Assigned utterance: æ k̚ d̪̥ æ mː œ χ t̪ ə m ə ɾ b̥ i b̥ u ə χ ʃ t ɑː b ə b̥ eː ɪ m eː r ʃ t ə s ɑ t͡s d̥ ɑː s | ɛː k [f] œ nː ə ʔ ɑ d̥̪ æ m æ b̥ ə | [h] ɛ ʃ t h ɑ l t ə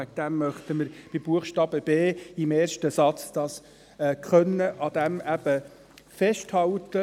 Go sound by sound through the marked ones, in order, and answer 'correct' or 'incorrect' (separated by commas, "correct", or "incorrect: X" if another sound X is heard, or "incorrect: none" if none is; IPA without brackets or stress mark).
incorrect: χ, incorrect: f